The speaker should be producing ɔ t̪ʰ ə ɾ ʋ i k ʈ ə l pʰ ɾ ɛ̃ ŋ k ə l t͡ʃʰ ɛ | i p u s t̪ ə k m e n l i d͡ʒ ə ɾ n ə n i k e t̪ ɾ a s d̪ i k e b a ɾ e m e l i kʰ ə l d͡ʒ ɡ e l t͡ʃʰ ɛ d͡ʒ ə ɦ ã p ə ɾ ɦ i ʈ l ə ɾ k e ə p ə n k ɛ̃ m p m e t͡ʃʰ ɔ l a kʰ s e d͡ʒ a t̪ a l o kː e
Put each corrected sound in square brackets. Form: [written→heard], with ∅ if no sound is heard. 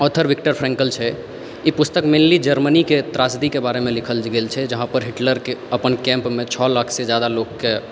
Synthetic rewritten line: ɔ t̪ʰ ə ɾ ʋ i k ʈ ə [l→ɾ] pʰ ɾ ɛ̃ ŋ k ə l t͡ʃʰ ɛ | i p u s t̪ ə k m e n l i d͡ʒ ə ɾ [n→m] ə n i k e t̪ ɾ a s d̪ i k e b a ɾ e m e l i kʰ ə l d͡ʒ ɡ e l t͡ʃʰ ɛ d͡ʒ ə ɦ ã p ə ɾ ɦ i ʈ l ə ɾ k e ə p ə n k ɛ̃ m p m e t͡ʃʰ ɔ l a kʰ s e d͡ʒ a [t̪→d̪] a l o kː e